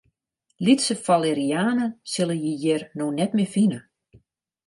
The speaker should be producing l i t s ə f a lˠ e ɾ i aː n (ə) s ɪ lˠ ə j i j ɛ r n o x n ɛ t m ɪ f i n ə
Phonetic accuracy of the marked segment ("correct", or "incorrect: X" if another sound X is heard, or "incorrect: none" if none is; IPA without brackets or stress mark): correct